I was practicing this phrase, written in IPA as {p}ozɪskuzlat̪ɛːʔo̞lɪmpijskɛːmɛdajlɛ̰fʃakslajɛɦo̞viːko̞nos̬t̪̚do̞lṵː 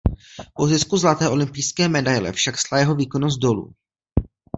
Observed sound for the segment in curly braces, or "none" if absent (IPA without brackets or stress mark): p